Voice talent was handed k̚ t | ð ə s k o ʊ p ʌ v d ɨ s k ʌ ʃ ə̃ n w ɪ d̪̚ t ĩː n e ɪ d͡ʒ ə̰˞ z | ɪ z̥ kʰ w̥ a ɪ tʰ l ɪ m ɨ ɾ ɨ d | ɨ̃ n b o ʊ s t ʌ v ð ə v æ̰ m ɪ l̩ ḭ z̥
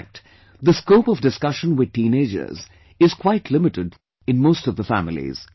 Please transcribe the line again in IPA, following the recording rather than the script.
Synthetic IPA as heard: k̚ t | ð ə s k o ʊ p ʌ v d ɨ s k ʌ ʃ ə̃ n w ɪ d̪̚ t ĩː n e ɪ d͡ʒ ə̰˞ z | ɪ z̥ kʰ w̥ a ɪ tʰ l ɪ m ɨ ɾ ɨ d | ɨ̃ n m o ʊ s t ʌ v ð ə f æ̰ m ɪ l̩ ḭ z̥